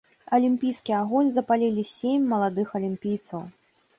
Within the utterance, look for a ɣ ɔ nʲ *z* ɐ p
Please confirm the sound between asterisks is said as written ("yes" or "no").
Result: yes